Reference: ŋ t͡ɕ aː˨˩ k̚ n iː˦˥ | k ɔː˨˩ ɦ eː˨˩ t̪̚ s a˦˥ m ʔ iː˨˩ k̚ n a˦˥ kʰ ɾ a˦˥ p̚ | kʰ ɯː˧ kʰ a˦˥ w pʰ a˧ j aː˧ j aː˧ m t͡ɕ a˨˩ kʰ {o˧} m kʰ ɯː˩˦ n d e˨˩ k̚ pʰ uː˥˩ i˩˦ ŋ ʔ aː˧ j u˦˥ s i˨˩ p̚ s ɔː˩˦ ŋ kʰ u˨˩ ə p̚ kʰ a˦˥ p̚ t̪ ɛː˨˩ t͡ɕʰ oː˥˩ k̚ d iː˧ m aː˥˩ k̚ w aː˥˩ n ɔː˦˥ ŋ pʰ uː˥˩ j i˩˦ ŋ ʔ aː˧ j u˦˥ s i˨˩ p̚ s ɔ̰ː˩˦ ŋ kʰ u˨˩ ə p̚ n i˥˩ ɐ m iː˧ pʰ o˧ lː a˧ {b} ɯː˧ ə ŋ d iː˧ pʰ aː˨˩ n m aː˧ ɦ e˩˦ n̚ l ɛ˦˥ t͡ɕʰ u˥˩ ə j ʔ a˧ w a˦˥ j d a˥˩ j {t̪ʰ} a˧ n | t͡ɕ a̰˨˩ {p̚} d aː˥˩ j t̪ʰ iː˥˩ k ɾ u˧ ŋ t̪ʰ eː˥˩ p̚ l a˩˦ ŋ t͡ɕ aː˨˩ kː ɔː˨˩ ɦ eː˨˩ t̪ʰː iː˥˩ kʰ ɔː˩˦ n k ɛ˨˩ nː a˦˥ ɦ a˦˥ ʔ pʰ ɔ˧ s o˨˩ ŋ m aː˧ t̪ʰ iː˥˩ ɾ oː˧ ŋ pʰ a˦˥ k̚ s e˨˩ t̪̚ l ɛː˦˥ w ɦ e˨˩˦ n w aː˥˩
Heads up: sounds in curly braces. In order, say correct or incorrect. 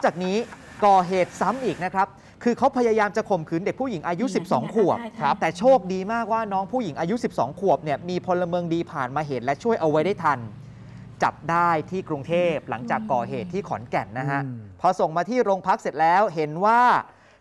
incorrect, incorrect, correct, correct

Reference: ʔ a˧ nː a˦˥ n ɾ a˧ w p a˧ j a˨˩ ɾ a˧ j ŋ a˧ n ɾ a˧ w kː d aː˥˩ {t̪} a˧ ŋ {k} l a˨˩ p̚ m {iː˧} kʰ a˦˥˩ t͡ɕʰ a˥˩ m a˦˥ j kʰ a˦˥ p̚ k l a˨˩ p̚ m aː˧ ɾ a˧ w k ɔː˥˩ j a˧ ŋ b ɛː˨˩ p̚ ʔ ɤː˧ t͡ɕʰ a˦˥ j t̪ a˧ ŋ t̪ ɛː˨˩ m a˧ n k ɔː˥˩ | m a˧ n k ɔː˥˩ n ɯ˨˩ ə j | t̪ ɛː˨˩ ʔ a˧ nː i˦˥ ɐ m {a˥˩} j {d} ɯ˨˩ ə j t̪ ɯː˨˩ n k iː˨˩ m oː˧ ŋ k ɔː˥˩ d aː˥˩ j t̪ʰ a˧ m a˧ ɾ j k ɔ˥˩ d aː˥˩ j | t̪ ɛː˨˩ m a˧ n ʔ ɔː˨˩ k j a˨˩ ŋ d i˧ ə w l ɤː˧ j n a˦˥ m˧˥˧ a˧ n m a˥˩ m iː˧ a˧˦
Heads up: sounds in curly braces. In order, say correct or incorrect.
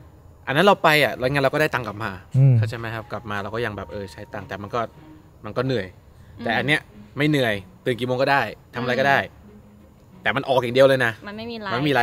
correct, correct, incorrect, correct, incorrect

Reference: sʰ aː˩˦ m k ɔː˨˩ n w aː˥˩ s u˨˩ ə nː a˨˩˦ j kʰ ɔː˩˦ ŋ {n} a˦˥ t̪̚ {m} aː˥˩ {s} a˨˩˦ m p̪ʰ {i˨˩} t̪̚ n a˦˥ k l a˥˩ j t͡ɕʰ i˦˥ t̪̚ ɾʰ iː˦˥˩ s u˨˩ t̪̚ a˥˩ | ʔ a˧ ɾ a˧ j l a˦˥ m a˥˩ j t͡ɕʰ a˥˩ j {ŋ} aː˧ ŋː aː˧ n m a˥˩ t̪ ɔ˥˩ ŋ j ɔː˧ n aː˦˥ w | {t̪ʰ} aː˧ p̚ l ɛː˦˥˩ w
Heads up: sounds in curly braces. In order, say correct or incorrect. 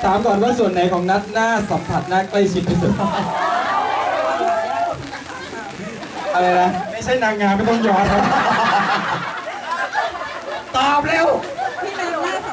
correct, incorrect, correct, incorrect, incorrect, incorrect

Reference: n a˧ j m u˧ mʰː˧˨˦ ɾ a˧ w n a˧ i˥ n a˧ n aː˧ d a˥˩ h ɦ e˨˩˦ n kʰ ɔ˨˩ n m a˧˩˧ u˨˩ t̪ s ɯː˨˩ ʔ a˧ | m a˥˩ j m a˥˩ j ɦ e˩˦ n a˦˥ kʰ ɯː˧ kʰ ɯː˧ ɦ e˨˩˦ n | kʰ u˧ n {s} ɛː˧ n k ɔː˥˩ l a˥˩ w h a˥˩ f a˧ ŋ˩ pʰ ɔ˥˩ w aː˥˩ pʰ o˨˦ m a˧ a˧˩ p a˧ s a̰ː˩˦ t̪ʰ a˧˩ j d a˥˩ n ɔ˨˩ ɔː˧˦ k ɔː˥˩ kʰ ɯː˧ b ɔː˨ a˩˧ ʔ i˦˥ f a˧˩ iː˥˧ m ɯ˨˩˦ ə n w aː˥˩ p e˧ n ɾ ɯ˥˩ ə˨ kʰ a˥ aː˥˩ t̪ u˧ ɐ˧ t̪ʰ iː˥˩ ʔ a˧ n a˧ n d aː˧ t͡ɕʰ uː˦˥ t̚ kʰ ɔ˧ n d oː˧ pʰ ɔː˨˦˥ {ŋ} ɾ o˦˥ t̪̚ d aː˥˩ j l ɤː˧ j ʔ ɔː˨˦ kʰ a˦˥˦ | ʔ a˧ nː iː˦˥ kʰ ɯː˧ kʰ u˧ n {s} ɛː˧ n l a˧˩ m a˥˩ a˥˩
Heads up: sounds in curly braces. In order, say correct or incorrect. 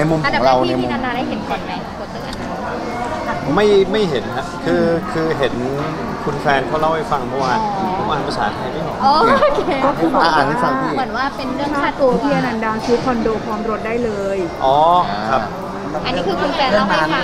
incorrect, incorrect, incorrect

